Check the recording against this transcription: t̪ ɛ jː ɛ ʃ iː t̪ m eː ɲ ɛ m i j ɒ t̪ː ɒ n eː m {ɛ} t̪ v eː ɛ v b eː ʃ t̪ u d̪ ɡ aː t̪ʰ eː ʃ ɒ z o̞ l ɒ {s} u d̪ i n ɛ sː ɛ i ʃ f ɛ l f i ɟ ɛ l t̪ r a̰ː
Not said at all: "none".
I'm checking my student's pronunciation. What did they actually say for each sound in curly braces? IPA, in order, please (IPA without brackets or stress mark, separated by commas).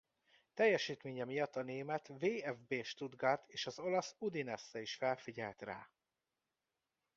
ɛ, s